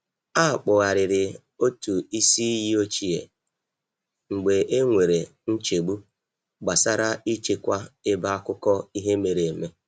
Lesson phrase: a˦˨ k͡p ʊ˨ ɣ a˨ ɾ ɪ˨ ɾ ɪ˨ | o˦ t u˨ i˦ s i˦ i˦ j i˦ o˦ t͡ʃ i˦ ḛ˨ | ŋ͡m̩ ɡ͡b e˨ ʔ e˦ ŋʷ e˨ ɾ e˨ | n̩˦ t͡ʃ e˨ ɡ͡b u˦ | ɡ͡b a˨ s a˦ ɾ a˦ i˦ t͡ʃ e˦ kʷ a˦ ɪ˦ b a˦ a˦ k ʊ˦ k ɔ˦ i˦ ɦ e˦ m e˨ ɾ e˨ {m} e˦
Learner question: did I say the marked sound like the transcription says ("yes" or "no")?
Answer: yes